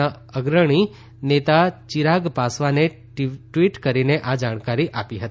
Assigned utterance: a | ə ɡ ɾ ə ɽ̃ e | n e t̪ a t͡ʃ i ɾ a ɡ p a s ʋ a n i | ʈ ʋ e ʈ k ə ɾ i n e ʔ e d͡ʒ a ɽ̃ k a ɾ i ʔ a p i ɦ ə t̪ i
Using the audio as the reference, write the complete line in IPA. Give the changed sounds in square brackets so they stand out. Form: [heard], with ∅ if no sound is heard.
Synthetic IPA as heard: a | ə ɡ ɾ ə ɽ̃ [i] | n e t̪ a t͡ʃ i ɾ a ɡ p a s ʋ a n [e] | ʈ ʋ [i] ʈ k ə ɾ i n e ʔ [a] d͡ʒ a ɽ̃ k a ɾ i ʔ a p i ɦ ə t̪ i